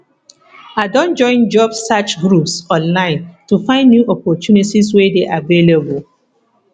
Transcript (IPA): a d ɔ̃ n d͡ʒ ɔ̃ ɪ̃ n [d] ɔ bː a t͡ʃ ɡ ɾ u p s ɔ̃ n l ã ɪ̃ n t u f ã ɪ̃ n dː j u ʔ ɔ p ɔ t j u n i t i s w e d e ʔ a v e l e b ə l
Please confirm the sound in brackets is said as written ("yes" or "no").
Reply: no